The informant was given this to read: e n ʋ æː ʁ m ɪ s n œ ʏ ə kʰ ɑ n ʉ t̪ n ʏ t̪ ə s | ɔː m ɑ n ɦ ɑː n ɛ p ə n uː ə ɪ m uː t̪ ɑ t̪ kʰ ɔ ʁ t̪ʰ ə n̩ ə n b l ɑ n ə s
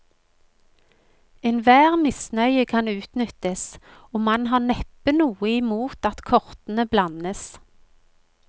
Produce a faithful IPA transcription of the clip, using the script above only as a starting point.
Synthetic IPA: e n ʋ æː ʁ m ɪ s n œ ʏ ə kʰ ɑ n ʉː t̪ n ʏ t̪ ə s | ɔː m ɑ n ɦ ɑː n ɛ p ə n uː ə ɪ m uː t̪ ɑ t̪ kʰ ɔ ʁ t̪ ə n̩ ə b l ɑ n ə s